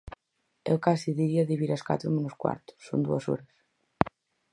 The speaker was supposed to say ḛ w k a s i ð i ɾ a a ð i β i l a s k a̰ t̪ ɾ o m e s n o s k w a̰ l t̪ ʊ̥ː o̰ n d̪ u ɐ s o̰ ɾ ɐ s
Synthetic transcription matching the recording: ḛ w k a s i ð i ɾ i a ð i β i ɾ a s k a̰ t̪ ɾ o m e n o s k w a̰ ɾ t̪ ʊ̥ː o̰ n d̪ u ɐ s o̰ ɾ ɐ s